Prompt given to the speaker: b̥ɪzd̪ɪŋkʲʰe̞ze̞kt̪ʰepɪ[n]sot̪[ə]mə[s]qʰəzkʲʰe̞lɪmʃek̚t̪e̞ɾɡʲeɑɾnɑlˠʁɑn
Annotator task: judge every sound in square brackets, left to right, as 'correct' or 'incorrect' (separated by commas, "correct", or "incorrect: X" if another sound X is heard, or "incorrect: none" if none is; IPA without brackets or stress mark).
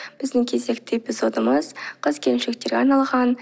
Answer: incorrect: none, correct, incorrect: z